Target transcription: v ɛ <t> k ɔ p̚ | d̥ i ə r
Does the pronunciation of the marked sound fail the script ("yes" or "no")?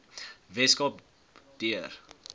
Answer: yes